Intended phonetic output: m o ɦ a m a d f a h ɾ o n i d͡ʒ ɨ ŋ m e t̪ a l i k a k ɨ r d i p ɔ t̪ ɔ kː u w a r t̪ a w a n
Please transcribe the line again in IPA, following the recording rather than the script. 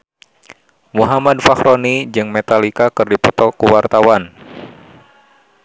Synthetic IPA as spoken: m u ɦ a m a d f a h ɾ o n i d͡ʒ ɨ ŋ m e t̪ a l i k a k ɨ r d i p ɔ t̪ ɔ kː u w a r t̪ a w a n